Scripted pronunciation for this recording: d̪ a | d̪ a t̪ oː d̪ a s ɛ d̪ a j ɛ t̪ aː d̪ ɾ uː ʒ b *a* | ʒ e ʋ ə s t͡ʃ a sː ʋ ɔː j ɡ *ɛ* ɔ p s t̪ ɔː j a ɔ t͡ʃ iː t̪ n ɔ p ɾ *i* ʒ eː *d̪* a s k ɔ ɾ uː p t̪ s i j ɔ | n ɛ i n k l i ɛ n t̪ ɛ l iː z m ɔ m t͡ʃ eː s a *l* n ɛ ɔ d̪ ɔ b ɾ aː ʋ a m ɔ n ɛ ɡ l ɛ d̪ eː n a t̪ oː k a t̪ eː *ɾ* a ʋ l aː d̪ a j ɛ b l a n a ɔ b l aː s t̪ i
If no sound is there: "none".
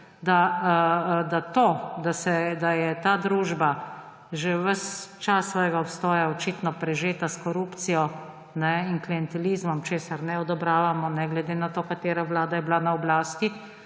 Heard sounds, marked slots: a, a, ɛ, t̪, ɾ, ɾ

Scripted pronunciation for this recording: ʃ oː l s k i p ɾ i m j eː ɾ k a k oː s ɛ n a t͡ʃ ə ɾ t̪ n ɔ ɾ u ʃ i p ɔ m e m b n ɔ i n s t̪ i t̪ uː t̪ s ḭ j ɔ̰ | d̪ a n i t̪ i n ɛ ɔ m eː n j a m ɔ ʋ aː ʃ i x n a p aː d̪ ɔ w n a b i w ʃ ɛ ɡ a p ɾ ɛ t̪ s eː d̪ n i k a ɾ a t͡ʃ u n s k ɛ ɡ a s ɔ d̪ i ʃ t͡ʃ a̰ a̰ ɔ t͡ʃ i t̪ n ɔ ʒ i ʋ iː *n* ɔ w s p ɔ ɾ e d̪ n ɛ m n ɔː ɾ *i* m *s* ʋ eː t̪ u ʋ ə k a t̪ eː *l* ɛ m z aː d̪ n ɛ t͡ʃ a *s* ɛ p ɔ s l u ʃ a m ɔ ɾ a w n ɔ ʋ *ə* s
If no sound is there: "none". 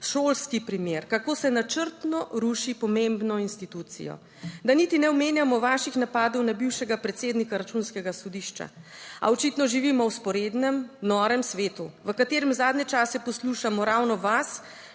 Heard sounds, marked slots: m, ɛ, s, ɾ, s, a

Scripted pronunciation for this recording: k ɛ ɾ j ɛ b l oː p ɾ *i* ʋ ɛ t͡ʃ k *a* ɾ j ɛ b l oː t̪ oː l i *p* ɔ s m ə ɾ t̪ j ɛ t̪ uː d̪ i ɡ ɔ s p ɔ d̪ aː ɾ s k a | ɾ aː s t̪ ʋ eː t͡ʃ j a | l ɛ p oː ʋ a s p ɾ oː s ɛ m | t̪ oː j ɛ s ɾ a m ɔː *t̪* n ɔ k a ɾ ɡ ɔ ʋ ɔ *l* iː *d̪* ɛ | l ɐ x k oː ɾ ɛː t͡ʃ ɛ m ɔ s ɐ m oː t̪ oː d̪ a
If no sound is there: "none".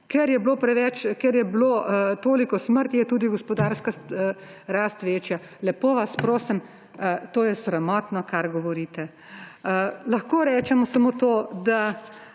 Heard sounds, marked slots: ɛ, ɛ, k, t̪, ɾ, t̪

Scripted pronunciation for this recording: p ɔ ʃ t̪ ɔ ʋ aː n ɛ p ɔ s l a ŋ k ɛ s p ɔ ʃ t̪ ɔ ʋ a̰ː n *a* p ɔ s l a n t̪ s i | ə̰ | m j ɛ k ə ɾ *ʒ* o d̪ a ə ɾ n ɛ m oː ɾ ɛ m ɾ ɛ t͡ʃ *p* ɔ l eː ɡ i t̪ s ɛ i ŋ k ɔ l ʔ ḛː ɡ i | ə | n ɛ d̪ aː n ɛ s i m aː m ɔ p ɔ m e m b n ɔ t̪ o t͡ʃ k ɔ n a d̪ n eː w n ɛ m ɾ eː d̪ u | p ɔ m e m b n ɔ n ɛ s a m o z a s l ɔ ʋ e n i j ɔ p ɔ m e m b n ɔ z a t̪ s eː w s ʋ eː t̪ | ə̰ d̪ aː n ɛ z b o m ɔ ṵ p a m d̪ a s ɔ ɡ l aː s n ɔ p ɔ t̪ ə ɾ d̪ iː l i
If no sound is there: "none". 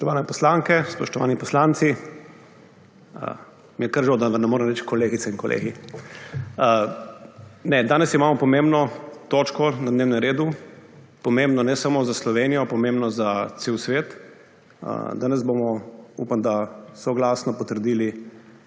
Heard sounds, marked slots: i, ʒ, k

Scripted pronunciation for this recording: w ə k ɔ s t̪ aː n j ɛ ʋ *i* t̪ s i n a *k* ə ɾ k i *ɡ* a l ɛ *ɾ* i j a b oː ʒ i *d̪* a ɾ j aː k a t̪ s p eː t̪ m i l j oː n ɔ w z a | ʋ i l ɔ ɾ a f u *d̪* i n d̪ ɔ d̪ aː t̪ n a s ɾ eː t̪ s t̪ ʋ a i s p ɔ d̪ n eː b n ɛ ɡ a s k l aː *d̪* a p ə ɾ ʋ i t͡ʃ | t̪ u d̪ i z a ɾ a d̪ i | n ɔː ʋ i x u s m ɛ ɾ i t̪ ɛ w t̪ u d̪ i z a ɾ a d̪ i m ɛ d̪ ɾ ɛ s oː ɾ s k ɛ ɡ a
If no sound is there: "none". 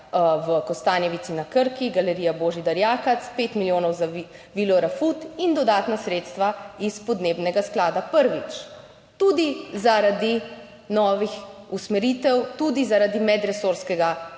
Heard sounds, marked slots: i, k, ɡ, ɾ, d̪, t̪, d̪

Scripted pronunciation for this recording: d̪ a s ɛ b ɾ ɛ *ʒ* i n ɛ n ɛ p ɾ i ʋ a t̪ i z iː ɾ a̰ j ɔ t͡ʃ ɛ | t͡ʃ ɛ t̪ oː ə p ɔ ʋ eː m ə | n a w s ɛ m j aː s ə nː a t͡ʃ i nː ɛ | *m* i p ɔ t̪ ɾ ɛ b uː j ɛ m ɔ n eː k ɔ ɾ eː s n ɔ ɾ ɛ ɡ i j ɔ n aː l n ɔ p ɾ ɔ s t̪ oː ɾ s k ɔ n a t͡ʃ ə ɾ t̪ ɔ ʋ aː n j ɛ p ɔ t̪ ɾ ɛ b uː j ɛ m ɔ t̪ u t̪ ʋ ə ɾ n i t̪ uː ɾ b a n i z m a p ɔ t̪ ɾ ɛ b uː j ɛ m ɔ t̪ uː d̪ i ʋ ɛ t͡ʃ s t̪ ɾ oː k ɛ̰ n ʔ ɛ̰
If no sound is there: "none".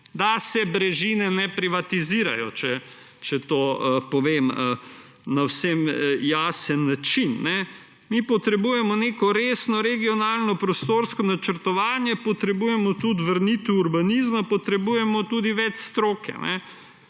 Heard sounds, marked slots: ʒ, m

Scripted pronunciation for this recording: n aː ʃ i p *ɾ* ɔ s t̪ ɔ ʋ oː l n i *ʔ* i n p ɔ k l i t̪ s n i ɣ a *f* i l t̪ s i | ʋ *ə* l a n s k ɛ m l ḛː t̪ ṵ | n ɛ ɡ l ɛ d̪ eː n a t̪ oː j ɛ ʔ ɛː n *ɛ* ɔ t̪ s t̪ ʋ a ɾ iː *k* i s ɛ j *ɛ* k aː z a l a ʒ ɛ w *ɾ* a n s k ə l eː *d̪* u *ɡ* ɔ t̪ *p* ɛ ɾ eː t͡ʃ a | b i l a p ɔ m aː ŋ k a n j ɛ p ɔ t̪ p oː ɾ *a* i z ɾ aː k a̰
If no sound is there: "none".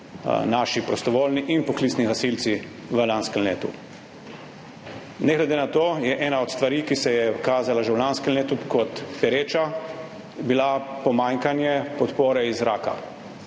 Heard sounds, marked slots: ɾ, ʔ, s, ə, a, k, ɛ, l, t̪, k, p, ɛ

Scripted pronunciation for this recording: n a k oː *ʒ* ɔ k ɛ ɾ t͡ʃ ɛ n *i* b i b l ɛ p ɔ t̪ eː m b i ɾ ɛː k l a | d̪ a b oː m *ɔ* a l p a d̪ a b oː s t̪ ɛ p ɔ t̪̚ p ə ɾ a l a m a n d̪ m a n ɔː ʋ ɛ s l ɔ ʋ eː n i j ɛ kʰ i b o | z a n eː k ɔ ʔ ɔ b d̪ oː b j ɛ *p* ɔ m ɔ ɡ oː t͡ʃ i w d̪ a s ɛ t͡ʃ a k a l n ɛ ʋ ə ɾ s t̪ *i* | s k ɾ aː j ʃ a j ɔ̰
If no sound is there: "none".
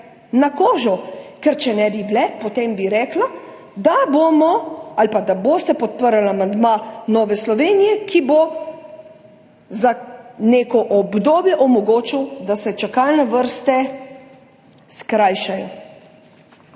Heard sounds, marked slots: ʒ, ɛ, ɔ, ʔ, ɛ

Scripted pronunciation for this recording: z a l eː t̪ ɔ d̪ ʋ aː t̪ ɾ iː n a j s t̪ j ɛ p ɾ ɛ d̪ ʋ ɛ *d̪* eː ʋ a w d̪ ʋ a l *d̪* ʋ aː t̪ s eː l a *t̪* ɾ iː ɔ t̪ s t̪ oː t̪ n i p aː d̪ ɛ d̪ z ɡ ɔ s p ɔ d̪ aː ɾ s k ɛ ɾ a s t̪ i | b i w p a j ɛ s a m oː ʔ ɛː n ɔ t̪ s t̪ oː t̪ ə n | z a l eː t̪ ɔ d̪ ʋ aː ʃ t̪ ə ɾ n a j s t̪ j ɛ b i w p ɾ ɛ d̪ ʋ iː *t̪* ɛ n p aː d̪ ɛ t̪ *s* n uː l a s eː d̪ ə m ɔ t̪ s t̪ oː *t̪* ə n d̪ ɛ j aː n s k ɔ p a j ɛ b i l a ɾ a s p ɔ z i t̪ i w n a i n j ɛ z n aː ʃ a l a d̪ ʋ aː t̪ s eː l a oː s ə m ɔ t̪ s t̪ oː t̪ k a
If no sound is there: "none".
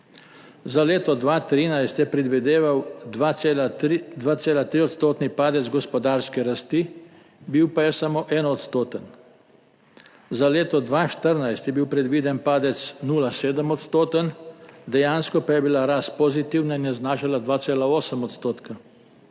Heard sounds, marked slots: d̪, d̪, t̪, d̪, s, t̪

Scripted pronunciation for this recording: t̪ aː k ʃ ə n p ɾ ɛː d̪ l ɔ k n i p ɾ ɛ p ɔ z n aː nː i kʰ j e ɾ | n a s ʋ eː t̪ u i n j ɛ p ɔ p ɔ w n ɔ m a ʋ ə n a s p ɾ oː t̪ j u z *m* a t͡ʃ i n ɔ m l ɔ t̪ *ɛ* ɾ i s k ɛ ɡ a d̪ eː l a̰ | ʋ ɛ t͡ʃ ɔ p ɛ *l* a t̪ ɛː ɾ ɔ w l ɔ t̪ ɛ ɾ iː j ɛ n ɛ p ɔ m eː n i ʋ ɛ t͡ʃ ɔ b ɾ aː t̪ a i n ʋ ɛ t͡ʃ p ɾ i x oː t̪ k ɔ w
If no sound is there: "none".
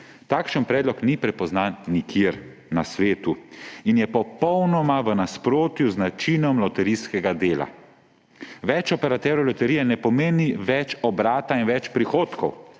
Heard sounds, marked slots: n, ɛ, ɾ

